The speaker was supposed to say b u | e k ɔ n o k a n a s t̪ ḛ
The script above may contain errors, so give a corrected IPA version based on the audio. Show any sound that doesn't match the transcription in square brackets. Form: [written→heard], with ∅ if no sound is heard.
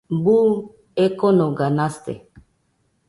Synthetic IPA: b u | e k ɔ n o [k→ɡ] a n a s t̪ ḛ